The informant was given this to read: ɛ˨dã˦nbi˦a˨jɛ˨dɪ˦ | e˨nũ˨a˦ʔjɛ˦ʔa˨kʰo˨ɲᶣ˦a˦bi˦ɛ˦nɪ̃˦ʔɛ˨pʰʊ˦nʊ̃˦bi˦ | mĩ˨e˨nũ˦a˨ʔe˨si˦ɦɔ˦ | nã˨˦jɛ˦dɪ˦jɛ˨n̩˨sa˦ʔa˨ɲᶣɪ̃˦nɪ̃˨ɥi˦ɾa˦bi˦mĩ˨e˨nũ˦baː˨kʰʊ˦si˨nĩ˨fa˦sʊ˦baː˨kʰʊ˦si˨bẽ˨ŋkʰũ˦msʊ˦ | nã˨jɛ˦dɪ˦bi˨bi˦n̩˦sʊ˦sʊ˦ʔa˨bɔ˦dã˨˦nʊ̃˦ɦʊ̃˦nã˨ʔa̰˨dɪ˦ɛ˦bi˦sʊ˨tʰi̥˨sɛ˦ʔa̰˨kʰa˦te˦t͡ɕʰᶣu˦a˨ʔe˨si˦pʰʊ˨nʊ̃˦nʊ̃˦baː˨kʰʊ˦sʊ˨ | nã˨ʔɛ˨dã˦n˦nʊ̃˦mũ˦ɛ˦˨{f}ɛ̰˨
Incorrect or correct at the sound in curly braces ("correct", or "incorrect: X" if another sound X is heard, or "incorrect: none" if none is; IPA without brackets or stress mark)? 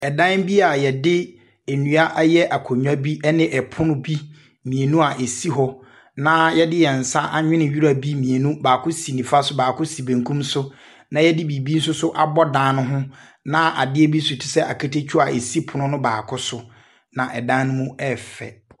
correct